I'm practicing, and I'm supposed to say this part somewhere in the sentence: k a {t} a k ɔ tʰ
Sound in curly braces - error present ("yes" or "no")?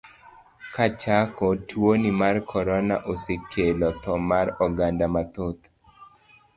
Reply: yes